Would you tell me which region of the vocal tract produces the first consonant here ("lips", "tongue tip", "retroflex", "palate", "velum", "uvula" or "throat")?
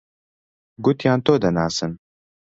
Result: velum